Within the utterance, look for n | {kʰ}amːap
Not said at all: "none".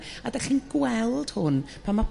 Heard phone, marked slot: pʰ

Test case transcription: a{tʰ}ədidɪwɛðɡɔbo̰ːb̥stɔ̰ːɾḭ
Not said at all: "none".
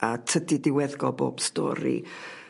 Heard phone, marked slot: tʰ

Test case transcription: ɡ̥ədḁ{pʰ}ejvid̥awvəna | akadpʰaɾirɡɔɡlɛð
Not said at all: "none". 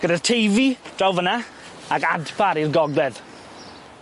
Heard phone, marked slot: tʰ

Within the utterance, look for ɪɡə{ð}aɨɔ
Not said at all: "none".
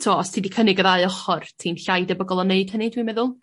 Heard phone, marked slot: ð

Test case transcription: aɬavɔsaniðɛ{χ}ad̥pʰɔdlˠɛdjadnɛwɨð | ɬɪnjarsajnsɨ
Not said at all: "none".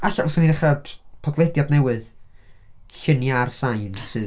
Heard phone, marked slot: χ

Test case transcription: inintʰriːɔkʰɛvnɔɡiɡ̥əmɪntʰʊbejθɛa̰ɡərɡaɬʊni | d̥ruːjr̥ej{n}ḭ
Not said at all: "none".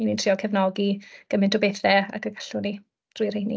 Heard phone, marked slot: n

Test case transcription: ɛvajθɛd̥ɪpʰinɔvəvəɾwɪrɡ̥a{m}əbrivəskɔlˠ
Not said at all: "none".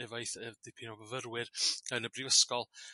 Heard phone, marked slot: n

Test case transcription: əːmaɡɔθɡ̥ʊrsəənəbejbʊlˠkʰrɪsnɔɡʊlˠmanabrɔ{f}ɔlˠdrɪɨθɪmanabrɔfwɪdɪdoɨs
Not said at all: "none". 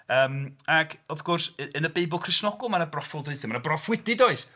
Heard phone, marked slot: f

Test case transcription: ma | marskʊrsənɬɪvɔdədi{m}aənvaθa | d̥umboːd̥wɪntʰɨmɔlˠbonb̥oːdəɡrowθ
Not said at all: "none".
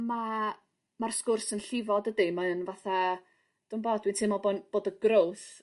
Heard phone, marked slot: m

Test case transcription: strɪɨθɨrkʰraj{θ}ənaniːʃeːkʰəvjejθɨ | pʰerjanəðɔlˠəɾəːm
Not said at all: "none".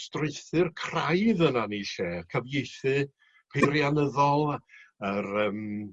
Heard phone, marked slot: ð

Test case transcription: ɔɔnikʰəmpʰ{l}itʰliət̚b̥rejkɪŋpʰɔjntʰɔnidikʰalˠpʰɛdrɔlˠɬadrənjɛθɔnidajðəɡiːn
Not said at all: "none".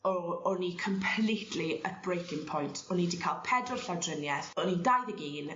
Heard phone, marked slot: l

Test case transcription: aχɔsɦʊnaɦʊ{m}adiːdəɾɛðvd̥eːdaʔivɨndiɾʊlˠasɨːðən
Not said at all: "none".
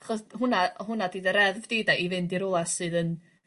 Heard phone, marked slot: n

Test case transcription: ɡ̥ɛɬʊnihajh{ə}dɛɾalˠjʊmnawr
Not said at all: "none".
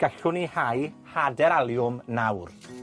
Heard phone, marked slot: a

